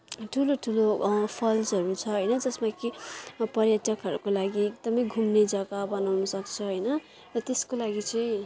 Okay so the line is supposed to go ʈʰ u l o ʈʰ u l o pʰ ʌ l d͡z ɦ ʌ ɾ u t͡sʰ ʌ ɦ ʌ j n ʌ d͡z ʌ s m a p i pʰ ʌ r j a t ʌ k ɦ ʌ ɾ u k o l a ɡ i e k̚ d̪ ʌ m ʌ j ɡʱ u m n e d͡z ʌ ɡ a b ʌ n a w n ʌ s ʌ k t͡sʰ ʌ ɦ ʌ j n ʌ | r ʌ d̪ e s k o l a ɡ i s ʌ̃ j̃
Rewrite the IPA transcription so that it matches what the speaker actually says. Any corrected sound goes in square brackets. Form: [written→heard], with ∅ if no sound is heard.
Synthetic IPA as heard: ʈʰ u l o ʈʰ u l o pʰ ʌ l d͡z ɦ ʌ ɾ u t͡sʰ ʌ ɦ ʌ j n ʌ d͡z ʌ s m a [p→k] i [pʰ→p] ʌ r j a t ʌ k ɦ ʌ ɾ u k o l a ɡ i e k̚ d̪ ʌ m ʌ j ɡʱ u m n e d͡z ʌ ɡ a b ʌ n a w n ʌ s ʌ k t͡sʰ ʌ ɦ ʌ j n ʌ | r ʌ [d̪→t̪] e s k o l a ɡ i [s→t͡s] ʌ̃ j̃